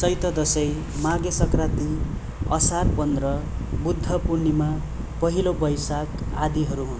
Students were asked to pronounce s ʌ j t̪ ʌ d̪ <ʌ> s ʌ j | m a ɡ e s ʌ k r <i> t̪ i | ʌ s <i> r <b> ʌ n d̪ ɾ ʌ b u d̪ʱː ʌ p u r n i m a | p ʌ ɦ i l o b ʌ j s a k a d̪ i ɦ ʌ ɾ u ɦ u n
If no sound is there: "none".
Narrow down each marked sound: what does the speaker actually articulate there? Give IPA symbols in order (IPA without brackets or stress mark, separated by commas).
ʌ, a, a, p